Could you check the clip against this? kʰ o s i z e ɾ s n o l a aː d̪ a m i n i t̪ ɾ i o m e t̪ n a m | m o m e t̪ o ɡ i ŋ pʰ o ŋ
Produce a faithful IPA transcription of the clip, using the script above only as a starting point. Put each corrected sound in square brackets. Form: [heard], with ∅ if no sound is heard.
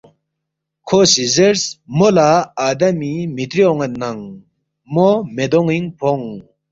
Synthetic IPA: kʰ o s i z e ɾ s [m] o l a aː d̪ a m i [m] i t̪ ɾ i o [ŋ] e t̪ n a [ŋ] | m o m e [d̪] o [ŋ] i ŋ pʰ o ŋ